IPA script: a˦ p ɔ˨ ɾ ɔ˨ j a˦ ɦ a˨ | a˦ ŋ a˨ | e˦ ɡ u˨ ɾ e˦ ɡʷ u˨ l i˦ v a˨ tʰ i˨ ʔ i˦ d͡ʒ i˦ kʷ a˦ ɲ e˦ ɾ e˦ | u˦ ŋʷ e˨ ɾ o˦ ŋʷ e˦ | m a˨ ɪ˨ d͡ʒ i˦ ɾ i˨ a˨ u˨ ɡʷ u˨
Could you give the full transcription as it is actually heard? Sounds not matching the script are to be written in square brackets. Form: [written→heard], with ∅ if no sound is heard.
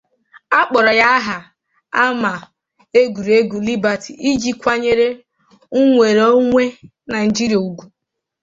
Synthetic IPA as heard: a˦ [p→k͡p] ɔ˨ ɾ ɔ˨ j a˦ ɦ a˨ | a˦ [ŋ→m] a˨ | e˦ ɡ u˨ ɾ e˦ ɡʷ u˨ l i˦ [v→b] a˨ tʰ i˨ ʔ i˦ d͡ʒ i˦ kʷ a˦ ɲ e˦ ɾ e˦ | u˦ ŋʷ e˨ ɾ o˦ ŋʷ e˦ | [m→n] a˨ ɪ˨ d͡ʒ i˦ ɾ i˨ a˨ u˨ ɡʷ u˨

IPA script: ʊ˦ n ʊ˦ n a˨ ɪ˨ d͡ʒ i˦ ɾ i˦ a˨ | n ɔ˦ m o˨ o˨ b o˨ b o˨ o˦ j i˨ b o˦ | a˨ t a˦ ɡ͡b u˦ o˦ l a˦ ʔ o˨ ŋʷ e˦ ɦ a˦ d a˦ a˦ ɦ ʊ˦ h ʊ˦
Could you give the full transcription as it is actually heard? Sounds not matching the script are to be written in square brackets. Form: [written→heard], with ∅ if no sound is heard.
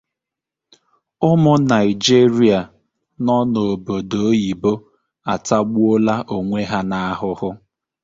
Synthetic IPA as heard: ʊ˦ [n→m] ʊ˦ n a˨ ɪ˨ d͡ʒ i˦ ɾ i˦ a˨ | n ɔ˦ [m→n] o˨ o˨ b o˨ [b→d] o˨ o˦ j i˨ b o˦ | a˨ t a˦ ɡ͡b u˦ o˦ l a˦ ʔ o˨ ŋʷ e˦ ɦ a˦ [d→n] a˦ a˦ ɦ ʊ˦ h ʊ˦

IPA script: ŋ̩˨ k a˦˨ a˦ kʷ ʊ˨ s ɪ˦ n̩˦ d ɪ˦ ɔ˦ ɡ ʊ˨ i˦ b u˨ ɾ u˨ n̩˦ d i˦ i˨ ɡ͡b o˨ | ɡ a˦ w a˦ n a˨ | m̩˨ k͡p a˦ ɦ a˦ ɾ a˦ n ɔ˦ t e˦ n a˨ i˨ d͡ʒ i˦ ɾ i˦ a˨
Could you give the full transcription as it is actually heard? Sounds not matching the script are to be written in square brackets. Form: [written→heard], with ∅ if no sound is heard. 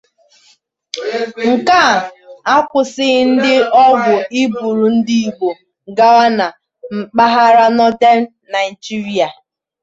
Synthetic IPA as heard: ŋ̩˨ k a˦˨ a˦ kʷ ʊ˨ s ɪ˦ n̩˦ d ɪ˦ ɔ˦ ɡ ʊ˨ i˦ b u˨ ɾ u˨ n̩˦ d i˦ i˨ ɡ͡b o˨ | ɡ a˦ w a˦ n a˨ | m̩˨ k͡p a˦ ɦ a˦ ɾ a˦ n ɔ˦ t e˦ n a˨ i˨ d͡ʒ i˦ ɾ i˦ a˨

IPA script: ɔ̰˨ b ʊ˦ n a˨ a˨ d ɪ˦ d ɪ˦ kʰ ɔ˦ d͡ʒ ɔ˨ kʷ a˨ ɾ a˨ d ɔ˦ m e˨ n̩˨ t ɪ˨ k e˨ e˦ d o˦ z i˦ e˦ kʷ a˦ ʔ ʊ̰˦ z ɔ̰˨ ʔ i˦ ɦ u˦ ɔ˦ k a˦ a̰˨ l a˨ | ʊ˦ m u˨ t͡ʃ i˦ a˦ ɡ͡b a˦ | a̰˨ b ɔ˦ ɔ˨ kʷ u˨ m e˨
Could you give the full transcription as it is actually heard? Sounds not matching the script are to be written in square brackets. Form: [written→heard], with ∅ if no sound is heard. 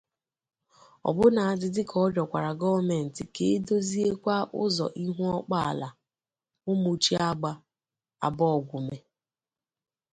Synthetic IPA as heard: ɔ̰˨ b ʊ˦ n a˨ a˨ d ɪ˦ d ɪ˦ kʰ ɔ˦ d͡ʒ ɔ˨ kʷ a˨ ɾ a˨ [d→ɡ] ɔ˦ m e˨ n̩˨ t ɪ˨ k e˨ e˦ d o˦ z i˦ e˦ kʷ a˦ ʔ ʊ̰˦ z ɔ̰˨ ʔ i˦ ɦ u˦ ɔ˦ [k→k͡p] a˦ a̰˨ l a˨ | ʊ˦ m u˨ t͡ʃ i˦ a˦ ɡ͡b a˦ | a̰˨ b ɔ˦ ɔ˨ [kʷ→ɡʷ] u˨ m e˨

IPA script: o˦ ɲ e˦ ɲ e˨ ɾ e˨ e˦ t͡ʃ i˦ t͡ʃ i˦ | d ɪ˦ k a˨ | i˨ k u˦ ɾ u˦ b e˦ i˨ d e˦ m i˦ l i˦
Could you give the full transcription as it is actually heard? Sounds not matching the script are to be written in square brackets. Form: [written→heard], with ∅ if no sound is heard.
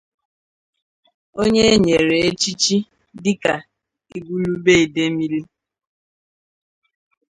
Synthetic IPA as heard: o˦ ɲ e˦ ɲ e˨ ɾ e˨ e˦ t͡ʃ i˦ t͡ʃ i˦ | d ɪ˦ k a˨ | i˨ [k→ɡ] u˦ [ɾ→l] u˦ b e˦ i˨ d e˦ m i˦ l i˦

